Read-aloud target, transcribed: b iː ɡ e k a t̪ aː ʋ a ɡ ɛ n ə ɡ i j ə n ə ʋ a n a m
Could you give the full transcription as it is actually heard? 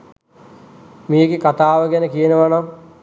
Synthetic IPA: m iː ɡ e k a t̪ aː ʋ ə ɡ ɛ n ə k i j ə n ə ʋ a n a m